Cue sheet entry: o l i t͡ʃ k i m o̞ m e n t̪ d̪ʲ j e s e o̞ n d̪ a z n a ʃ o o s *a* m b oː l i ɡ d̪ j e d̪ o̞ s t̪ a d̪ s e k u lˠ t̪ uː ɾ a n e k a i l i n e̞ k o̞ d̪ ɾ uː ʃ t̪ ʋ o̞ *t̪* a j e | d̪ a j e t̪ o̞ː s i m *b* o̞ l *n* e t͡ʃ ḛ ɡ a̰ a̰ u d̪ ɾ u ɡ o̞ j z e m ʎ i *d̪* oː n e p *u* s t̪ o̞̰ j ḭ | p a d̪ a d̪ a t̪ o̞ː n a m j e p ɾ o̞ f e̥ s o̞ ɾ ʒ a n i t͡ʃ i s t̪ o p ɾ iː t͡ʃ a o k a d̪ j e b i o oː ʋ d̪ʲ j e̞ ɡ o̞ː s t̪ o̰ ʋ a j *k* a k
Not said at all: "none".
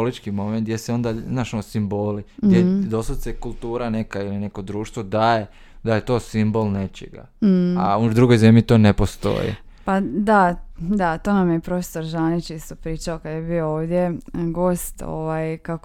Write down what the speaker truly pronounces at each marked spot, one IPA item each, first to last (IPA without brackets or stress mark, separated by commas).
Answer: i, d̪, b, n, t̪, o, k